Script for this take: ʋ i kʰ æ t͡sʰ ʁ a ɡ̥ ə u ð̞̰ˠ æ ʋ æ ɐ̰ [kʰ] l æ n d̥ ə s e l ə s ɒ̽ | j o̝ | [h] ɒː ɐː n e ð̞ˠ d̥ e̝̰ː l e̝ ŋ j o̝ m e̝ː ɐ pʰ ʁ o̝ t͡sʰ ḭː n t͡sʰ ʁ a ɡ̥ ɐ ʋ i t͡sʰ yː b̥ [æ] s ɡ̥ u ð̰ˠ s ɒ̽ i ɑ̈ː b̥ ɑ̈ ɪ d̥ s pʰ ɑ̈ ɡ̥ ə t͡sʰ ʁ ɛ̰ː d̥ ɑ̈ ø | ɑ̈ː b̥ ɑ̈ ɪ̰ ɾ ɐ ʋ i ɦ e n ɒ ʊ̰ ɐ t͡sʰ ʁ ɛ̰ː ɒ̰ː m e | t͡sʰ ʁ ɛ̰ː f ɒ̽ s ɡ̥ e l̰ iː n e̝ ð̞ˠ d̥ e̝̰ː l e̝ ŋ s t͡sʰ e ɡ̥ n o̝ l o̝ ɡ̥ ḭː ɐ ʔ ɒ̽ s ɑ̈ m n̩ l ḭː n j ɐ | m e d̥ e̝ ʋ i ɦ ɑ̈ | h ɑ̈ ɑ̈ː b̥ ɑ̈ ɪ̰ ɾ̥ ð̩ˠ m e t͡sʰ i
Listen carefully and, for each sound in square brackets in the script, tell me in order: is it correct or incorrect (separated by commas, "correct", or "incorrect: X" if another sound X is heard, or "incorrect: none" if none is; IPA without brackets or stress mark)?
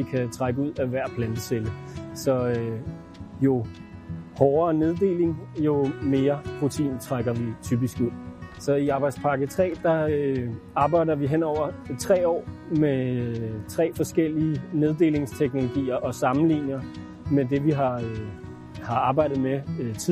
incorrect: pʰ, correct, incorrect: i